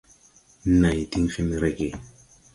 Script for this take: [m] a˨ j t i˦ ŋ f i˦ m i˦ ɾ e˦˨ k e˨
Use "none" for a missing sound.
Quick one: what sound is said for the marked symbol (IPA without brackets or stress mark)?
n